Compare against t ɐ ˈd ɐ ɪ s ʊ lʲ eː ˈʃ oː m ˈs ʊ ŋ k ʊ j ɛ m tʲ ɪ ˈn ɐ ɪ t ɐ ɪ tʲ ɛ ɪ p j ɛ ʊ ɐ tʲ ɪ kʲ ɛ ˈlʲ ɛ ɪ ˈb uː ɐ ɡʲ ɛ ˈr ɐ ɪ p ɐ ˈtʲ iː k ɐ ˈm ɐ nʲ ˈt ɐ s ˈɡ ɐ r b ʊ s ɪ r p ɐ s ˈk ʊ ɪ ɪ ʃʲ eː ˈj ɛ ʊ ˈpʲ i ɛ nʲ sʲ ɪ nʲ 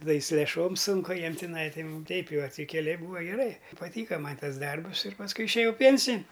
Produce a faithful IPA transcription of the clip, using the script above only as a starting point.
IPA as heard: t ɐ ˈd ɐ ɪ s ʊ lʲ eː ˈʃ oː m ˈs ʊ ŋ k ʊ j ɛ m tʲ ɪ ˈn ɐ ɪ t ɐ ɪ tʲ ɛ ɪ p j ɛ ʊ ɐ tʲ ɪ kʲ ɛ ˈlʲ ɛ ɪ ˈb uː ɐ ɡʲ ɛ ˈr ɐ ɪ p ɐ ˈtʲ iː k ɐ ˈm ɐ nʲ ˈt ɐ s ˈd ɐ r b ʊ s ɪ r p ɐ s ˈk ʊ ɪ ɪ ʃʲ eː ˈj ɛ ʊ ˈpʲ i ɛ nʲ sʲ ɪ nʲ